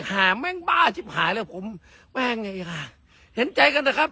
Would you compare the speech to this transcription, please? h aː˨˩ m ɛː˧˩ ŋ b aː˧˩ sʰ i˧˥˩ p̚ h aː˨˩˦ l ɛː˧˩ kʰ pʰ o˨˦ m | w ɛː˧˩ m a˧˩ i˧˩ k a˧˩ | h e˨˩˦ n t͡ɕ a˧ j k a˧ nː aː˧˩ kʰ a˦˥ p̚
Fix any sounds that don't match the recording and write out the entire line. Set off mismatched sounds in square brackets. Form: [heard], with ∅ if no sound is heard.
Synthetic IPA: h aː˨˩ m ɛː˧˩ ŋ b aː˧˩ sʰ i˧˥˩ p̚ h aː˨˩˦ l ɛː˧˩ [∅] pʰ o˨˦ m | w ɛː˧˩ [ŋ] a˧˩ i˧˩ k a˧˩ | h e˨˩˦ n t͡ɕ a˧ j k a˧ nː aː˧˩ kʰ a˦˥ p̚